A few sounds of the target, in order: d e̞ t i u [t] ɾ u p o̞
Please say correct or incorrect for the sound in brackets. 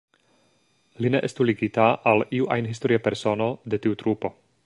correct